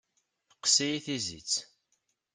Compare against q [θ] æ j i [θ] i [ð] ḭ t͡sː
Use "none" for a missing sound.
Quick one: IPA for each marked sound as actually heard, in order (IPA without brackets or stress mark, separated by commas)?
s, θ, z